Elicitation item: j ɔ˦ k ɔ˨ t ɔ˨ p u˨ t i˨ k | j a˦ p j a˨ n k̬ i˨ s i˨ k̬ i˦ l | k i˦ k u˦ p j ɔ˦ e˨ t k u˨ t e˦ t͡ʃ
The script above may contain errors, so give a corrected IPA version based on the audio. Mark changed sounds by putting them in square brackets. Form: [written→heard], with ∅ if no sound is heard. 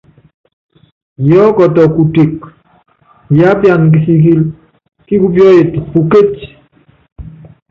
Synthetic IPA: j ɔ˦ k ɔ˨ t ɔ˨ [p→k] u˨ t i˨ k | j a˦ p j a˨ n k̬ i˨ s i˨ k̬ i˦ l | k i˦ k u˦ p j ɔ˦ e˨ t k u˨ [t→k] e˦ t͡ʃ